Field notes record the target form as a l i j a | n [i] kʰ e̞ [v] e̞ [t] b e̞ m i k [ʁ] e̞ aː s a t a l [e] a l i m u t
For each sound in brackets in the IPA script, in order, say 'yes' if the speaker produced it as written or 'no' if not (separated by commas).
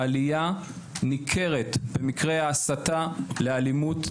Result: yes, no, yes, yes, yes